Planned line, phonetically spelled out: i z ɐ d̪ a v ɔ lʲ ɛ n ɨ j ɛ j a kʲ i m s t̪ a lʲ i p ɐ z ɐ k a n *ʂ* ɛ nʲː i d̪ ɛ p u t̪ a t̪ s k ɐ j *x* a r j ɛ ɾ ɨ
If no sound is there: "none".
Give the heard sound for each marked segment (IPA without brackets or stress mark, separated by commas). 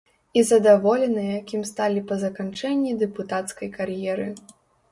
t͡ʂ, k